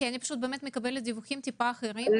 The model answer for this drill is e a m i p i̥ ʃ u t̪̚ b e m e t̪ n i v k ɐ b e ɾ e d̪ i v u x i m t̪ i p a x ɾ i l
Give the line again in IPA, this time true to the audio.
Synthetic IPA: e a n i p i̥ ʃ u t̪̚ b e m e t̪ m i k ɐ b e l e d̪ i v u x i m t̪ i p a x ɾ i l

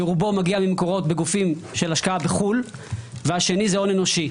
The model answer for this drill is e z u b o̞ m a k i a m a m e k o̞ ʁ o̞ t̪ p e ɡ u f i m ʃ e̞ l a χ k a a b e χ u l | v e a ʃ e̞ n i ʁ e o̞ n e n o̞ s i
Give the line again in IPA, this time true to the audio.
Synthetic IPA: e ʁ u b o̞ m a ɡ i a m i m e k o̞ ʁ o̞ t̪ b e ɡ u f i m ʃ e̞ l a ʃ k a a b e χ u l | v e a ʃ e̞ n i z e o̞ n e n o̞ ʃ i

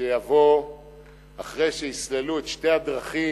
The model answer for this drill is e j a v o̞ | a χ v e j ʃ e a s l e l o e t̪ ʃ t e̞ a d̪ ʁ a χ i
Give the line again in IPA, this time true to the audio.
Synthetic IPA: e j a v o̞ | a χ ʁ e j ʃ e i s l e l u e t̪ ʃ t e̞ a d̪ ʁ a χ i

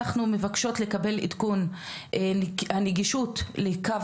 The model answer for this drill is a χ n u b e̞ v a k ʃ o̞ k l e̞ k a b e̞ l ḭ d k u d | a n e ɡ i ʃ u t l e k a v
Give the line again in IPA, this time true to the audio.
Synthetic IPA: a χ n u m e̞ v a k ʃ o̞ t l e̞ k a b e̞ l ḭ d k u n | a n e ɡ i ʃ u t l e k a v

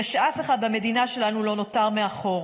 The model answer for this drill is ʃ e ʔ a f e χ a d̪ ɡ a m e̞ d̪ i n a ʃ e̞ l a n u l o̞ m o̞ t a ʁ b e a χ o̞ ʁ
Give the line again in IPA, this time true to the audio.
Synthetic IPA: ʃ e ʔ a f e χ a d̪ b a m e̞ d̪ i n a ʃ e̞ l a n u l o̞ n o̞ t a ʁ m e a χ o̞ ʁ

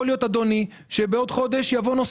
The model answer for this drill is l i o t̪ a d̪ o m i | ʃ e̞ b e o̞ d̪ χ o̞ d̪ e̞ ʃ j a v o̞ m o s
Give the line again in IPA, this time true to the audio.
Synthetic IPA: l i o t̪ a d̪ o n i | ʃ e̞ b e o̞ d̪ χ o̞ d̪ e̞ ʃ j a v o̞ n o s

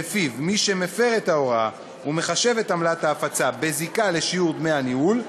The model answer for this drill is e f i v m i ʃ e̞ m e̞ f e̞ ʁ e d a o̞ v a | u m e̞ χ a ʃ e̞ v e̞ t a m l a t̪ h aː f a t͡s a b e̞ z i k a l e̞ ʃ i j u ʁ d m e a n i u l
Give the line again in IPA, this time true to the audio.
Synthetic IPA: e f i v m i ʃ e̞ m e̞ f e̞ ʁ e t a o̞ ʁ a | u m e̞ χ a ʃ e̞ v e̞ t a m l a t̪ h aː f a t͡s a b e̞ z i k a l e̞ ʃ i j u ʁ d m e a n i u l

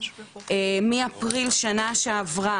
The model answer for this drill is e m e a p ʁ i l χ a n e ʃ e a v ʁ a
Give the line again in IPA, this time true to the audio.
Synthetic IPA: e m i a p ʁ i l ʃ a n a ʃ e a v ʁ a

